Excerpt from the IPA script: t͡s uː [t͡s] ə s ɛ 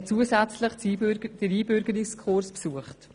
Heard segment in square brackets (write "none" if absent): none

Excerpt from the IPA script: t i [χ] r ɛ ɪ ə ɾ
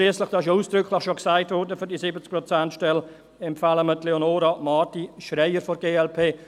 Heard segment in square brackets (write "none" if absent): ʃ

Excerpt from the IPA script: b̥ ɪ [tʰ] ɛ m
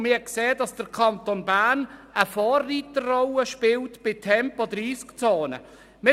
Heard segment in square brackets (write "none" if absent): tʰ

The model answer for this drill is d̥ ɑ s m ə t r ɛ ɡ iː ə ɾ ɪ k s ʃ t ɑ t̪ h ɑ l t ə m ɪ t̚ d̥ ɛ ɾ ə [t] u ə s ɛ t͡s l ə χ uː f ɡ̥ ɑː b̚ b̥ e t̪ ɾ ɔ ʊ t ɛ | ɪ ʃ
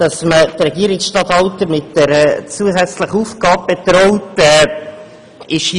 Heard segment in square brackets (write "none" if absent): t͡s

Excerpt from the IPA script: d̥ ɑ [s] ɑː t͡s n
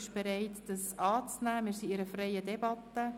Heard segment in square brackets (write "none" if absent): s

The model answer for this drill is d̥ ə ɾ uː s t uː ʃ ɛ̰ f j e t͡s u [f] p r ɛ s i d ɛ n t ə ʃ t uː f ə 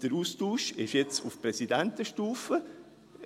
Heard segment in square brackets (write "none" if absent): f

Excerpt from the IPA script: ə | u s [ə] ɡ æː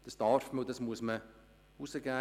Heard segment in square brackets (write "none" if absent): ə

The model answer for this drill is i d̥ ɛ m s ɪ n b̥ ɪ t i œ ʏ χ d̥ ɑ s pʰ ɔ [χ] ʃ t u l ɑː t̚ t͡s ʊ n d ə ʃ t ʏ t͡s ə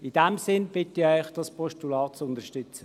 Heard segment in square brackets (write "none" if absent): none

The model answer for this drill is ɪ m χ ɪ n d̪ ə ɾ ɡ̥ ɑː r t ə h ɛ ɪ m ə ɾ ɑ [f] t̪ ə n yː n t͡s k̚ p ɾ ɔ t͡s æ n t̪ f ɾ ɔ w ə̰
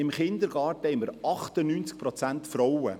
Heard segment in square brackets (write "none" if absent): χ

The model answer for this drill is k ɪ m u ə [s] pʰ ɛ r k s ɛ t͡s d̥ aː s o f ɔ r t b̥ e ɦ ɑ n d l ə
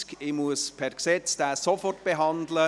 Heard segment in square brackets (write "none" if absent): s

